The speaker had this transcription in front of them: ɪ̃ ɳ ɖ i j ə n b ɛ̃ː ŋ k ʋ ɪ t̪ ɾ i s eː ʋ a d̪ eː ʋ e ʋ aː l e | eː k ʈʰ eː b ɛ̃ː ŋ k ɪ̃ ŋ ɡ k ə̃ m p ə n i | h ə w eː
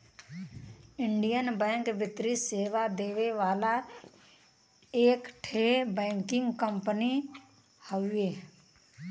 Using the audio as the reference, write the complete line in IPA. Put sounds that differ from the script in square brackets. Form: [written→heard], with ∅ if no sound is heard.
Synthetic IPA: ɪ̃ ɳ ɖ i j ə n b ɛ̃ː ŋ k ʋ ɪ t̪ ɾ i s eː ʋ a d̪ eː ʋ e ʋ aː l [e→a] | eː k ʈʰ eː b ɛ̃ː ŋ k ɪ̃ ŋ ɡ k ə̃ m p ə n i | h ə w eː